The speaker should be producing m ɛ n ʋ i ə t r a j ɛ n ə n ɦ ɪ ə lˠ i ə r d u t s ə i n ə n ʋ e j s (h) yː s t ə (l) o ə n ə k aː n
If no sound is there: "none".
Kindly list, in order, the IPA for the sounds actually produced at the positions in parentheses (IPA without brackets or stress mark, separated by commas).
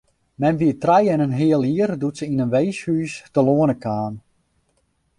h, l